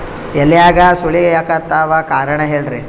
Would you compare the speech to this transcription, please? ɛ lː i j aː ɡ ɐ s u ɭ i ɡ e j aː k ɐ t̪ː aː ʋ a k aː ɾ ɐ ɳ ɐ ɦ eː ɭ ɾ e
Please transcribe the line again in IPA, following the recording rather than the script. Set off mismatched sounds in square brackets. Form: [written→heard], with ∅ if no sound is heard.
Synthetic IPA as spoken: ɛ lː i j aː ɡ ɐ s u ɭ i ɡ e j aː k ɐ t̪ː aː ʋ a k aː ɾ ɐ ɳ ɐ ɦ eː ɭ ɾ e